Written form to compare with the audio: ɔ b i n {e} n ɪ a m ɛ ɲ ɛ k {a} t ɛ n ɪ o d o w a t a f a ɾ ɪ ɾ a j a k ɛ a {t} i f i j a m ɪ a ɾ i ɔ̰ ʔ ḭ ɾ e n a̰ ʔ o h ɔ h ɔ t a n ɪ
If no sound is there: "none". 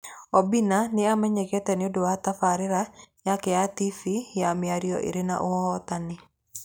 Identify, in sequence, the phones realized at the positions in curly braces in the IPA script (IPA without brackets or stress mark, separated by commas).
a, ɛ, t